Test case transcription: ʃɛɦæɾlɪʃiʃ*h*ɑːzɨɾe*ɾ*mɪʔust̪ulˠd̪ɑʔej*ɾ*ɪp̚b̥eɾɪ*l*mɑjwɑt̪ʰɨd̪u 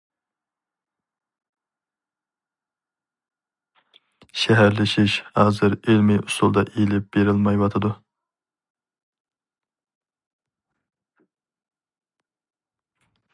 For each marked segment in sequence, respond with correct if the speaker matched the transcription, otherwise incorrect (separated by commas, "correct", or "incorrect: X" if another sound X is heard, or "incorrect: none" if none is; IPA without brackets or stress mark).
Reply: correct, incorrect: l, incorrect: l, correct